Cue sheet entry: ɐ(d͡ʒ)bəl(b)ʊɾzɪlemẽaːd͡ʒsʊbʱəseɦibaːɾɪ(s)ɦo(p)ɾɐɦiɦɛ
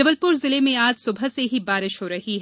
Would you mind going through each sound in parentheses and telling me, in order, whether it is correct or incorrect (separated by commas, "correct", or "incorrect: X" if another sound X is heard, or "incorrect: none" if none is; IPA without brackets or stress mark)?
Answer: incorrect: none, incorrect: p, incorrect: ʃ, incorrect: none